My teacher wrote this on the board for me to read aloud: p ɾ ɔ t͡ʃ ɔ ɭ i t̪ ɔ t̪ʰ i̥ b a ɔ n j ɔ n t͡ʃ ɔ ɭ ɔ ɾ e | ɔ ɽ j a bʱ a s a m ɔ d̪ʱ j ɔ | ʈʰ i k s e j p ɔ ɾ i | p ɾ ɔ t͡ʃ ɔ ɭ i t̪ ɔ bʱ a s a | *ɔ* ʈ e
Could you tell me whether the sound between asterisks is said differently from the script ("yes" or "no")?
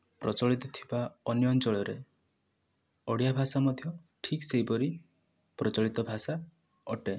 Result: no